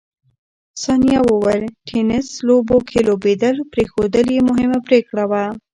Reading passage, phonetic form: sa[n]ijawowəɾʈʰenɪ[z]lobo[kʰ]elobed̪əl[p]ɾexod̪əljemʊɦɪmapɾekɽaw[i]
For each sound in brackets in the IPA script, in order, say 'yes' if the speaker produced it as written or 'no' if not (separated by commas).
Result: yes, no, yes, yes, no